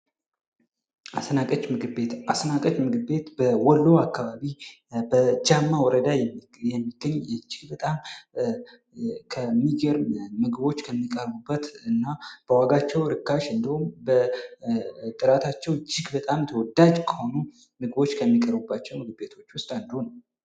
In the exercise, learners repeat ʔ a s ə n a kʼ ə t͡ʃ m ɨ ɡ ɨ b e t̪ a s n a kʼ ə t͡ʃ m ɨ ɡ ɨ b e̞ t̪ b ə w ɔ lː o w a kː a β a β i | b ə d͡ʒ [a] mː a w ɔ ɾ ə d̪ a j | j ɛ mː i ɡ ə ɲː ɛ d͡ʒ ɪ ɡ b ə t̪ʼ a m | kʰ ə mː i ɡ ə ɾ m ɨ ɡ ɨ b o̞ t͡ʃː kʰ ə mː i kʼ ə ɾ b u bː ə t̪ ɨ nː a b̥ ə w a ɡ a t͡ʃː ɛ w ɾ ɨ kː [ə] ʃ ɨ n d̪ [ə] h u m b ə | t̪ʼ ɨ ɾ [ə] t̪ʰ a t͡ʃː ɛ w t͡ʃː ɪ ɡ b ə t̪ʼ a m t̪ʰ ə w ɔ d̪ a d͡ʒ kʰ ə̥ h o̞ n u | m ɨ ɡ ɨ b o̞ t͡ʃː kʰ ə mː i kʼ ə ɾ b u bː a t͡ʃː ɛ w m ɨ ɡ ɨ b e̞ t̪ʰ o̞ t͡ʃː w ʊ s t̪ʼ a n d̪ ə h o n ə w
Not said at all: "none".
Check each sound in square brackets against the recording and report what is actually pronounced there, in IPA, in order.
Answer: a, a, ə, a

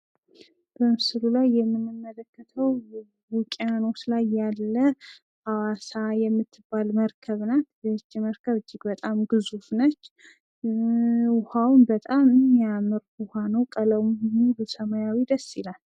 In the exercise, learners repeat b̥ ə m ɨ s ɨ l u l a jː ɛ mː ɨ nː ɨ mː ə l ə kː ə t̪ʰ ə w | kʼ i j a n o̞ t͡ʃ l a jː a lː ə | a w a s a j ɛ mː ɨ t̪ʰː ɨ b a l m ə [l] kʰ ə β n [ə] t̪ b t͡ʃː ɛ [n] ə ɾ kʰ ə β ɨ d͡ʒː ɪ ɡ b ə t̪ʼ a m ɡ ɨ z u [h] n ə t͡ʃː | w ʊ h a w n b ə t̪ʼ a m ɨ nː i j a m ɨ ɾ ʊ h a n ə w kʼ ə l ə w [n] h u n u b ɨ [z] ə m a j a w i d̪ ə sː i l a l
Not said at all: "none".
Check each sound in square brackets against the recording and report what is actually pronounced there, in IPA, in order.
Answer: ɾ, a, m, f, m, s

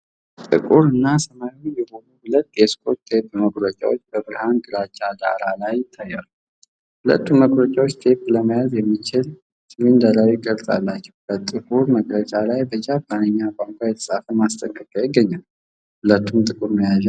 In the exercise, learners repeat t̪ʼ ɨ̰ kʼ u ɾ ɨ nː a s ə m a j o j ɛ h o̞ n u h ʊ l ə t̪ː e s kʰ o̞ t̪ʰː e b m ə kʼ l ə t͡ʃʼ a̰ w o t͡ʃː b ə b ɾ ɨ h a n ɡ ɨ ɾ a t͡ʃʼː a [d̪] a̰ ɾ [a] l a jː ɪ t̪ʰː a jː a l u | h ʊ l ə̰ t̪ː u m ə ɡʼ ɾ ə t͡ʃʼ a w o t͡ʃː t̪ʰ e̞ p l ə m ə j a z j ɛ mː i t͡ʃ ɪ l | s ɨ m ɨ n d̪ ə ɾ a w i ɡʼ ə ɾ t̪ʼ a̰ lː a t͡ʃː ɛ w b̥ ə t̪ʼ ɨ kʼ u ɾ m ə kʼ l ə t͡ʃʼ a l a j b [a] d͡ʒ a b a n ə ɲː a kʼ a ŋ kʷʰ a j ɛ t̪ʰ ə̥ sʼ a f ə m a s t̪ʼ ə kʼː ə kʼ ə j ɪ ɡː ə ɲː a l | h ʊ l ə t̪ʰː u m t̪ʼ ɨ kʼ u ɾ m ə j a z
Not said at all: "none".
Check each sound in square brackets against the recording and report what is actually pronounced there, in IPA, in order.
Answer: d̪, a, ə

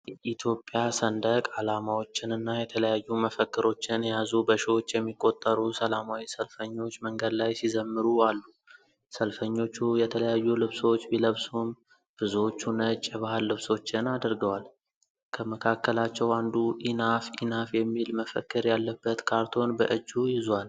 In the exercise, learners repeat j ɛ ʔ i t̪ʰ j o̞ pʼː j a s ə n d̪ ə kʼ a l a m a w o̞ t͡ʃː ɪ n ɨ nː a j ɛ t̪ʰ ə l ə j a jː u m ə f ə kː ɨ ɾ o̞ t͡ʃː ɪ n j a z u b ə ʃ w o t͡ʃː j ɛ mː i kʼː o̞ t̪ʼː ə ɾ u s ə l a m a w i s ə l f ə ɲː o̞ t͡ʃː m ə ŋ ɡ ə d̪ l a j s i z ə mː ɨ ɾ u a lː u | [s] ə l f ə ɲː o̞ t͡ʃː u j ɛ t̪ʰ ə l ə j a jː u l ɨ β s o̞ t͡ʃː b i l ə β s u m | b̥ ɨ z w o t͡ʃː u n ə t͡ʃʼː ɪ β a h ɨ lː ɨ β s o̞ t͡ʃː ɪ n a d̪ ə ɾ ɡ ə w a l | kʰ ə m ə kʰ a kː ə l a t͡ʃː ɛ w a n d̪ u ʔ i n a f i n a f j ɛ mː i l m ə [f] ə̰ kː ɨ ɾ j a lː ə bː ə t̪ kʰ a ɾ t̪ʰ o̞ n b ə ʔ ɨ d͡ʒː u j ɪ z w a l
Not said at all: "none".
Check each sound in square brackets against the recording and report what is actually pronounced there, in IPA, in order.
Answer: s, f

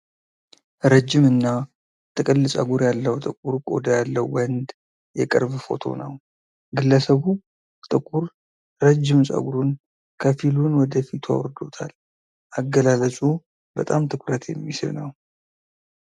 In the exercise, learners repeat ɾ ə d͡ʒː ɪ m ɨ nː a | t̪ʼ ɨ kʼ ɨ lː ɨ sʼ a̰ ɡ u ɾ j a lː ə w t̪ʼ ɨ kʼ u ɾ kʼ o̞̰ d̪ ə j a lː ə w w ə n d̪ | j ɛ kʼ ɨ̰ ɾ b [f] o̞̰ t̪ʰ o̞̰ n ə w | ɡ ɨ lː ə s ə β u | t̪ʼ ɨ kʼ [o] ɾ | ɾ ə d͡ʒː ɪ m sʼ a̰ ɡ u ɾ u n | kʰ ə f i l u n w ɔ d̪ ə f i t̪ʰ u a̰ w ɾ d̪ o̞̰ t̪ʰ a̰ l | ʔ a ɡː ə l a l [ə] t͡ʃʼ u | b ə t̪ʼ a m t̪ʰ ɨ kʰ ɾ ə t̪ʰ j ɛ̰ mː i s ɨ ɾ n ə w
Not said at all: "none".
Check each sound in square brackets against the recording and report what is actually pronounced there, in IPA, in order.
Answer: f, u, ə

